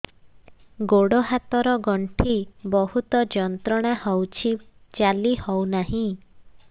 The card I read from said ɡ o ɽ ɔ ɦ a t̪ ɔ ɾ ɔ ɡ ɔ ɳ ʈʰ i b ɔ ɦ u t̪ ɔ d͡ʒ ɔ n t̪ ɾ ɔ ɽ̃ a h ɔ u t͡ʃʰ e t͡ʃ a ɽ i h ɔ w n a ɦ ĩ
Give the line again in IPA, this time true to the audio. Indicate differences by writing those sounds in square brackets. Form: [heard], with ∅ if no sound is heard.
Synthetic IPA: ɡ o ɽ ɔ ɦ a t̪ ɔ ɾ ɔ ɡ ɔ ɳ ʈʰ i b ɔ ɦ u t̪ ɔ d͡ʒ ɔ n t̪ ɾ ɔ ɽ̃ a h ɔ [w] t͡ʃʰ [i] t͡ʃ a [l] i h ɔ w n a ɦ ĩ